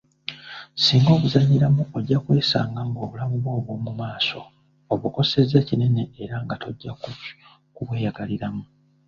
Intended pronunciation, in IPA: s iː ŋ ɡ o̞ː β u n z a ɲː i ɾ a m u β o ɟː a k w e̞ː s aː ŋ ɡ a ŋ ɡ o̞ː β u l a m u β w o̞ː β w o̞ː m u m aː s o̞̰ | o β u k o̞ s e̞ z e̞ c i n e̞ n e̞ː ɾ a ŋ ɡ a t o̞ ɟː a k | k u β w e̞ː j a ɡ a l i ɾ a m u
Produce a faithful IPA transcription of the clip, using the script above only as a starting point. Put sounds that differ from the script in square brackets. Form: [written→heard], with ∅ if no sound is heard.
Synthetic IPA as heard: s iː ŋ ɡ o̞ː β u [n→∅] z a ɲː i ɾ a m u [β→∅] o ɟː a k w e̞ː s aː ŋ ɡ a ŋ ɡ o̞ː β u l a m u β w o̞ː β w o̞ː m u m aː s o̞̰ | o β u k o̞ s e̞ z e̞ c i n e̞ n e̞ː ɾ a ŋ ɡ a t o̞ ɟː a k | k u β w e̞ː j a ɡ a l i ɾ a m u